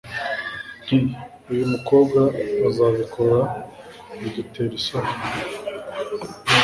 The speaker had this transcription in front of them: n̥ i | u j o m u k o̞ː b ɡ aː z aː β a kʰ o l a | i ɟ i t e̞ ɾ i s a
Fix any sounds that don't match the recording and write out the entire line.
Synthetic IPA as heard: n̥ i | u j u m u k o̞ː b ɡ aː z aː β i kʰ o ɾ a | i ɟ i t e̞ ɾ i s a